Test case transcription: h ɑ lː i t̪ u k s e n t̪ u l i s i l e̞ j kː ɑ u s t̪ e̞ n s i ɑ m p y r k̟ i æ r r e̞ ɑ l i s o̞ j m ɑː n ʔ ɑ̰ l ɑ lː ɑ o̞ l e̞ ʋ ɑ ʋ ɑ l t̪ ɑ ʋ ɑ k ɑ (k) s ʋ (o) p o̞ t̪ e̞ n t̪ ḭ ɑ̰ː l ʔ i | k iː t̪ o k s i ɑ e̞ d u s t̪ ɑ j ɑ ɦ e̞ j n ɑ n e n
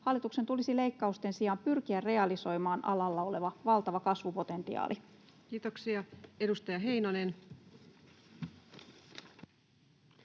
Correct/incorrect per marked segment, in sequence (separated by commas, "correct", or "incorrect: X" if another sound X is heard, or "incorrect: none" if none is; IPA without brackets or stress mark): incorrect: none, incorrect: u